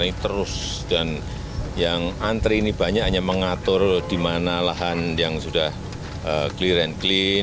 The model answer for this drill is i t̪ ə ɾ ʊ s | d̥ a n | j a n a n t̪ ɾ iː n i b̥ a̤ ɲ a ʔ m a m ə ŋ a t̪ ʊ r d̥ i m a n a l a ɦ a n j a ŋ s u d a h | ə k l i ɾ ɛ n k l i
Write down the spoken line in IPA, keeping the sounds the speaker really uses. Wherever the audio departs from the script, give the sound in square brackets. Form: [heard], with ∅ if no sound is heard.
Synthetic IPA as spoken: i t̪ ə ɾ ʊ s | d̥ a n | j a [ŋ] a n t̪ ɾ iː n i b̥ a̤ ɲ a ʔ [ɲ] a m ə ŋ a t̪ ʊ r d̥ i m a n a l a ɦ a n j a ŋ s u d a h | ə k l i ɾ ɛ n k l i